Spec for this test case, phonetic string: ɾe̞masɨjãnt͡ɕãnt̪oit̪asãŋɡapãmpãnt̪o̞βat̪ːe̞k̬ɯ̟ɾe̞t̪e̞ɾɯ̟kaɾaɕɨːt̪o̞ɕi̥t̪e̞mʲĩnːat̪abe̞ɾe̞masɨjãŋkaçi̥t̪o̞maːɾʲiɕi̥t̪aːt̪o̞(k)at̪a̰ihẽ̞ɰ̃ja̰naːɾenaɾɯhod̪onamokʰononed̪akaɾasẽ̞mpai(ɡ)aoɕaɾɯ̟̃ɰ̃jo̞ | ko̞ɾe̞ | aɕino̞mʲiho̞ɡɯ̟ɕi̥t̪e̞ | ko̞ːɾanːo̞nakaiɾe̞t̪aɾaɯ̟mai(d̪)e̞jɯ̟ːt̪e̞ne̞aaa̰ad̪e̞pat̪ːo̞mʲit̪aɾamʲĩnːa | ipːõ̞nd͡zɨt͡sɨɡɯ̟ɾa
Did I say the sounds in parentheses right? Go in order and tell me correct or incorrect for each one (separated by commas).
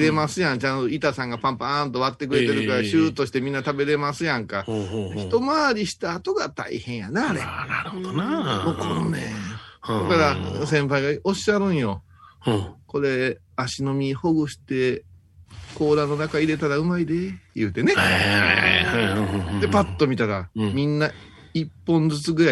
incorrect, correct, correct